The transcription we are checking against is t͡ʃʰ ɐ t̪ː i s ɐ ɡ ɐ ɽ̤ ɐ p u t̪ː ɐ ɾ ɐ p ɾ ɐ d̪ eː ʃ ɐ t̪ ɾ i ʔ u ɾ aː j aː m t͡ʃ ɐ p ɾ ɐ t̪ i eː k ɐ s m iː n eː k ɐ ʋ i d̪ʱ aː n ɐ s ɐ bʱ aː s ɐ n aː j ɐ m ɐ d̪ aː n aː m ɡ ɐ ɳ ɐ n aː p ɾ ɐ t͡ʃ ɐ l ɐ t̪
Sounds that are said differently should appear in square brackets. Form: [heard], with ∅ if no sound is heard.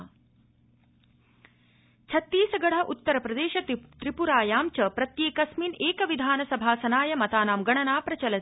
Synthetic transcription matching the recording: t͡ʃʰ ɐ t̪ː [iː] s ɐ ɡ ɐ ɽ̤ ɐ [ʔ] u t̪ː ɐ ɾ ɐ p ɾ ɐ d̪ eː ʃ ɐ t̪ ɾ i [p] u ɾ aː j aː m t͡ʃ ɐ p ɾ ɐ t̪ [j] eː k ɐ s m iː n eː k ɐ ʋ i d̪ʱ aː n ɐ s ɐ bʱ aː s ɐ n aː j ɐ m ɐ [t̪] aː n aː m ɡ ɐ ɳ ɐ n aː p ɾ ɐ t͡ʃ ɐ l ɐ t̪

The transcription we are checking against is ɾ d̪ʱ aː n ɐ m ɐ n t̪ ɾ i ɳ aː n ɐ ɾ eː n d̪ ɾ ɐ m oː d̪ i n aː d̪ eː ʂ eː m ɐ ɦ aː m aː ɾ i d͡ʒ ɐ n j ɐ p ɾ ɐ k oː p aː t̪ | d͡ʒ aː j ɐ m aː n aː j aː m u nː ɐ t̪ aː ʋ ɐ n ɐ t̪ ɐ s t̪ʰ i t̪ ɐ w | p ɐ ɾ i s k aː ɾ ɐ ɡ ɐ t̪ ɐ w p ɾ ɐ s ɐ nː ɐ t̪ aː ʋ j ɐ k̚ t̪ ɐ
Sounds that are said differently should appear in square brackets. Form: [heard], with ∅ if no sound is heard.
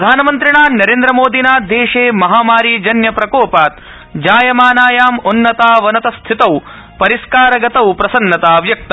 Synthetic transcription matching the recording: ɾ d̪ʱ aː n ɐ m ɐ n t̪ ɾ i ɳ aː n ɐ ɾ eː n d̪ ɾ ɐ m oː d̪ i n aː d̪ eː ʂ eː m ɐ ɦ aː m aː ɾ i d͡ʒ ɐ n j ɐ p ɾ ɐ k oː p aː t̪ | d͡ʒ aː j ɐ m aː n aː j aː m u nː ɐ t̪ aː ʋ ɐ n ɐ t̪ ɐ s t̪ʰ i t̪ ɐ w | p ɐ ɾ i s k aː ɾ ɐ ɡ ɐ t̪ ɐ w p ɾ ɐ s ɐ nː ɐ t̪ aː ʋ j ɐ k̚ t̪ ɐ

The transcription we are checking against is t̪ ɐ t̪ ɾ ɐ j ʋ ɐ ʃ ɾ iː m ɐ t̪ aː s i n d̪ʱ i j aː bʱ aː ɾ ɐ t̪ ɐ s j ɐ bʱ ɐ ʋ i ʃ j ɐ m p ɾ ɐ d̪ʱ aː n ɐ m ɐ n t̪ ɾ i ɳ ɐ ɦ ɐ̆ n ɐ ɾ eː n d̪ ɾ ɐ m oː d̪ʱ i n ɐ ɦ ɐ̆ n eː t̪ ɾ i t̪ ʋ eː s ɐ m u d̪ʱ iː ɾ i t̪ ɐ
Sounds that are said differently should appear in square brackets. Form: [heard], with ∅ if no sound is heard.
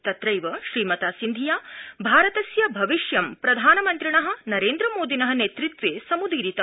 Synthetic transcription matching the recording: t̪ ɐ t̪ ɾ ɐ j ʋ ɐ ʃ ɾ iː m ɐ t̪ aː s i n d̪ʱ i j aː bʱ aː ɾ ɐ t̪ ɐ s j ɐ bʱ ɐ ʋ i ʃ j ɐ m p ɾ ɐ d̪ʱ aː n ɐ m ɐ n t̪ ɾ i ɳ ɐ ɦ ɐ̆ n ɐ ɾ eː n d̪ ɾ ɐ m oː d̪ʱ i n ɐ ɦ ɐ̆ n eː t̪ ɾ i t̪ ʋ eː s ɐ m u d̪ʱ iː ɾ i t̪ ɐ

